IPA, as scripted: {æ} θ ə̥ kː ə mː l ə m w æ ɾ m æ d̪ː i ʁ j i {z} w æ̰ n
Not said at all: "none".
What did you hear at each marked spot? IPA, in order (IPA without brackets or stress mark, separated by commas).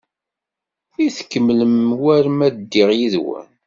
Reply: i, ð